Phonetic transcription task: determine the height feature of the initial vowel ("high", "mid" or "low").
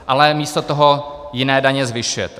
low